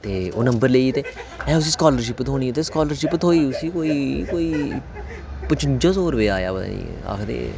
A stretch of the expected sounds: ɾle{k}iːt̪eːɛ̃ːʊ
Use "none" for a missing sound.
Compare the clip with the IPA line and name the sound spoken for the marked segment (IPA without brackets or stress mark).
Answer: none